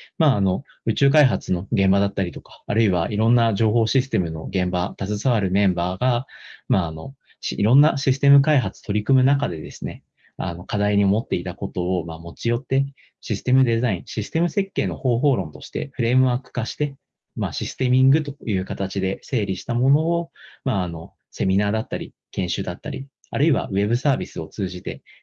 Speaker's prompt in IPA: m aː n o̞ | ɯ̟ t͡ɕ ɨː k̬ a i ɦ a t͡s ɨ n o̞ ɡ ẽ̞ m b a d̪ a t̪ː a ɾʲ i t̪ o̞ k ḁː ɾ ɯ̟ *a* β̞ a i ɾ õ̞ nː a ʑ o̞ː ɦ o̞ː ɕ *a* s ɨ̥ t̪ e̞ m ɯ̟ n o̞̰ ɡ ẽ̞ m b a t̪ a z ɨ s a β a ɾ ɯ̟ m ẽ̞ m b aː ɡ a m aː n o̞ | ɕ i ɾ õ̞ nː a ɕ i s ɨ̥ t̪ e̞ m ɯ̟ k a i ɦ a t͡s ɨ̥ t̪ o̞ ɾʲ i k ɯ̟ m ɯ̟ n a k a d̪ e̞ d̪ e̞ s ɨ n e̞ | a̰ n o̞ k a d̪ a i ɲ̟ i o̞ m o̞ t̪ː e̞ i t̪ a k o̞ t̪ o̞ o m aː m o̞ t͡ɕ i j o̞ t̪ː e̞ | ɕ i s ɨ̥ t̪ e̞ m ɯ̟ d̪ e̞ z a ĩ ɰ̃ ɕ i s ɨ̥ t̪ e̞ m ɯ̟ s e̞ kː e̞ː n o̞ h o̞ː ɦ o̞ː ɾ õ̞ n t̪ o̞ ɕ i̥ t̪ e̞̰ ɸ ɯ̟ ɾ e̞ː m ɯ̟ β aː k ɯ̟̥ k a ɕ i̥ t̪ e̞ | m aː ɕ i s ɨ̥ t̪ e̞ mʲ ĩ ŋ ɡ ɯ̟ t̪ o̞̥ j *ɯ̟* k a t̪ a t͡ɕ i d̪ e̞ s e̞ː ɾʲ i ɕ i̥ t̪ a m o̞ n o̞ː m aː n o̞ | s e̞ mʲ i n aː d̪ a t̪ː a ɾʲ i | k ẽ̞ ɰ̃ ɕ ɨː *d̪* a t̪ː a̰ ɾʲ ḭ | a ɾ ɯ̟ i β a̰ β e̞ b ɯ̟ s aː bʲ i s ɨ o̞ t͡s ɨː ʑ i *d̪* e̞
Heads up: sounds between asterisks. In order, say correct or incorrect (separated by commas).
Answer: incorrect, incorrect, incorrect, correct, incorrect